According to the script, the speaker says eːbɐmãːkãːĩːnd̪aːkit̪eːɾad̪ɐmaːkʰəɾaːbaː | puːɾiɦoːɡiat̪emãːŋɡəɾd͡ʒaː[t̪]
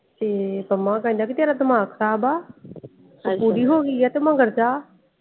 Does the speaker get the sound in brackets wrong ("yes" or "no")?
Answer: yes